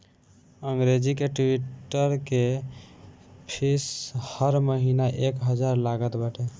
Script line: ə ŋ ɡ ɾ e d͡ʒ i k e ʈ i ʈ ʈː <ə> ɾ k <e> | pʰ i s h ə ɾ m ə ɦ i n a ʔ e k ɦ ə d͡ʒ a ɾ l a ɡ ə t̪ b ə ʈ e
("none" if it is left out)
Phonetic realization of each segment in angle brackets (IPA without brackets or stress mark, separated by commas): ə, e